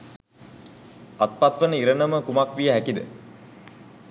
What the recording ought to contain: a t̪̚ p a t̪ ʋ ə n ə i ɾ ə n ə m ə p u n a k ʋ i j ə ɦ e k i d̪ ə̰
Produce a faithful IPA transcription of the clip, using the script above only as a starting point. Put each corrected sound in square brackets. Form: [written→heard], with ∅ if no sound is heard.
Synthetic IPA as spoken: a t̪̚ p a t̪ ʋ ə n ə i ɾ ə n ə m ə [p→k] u [n→m] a k ʋ i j ə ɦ [e→æ] k i d̪ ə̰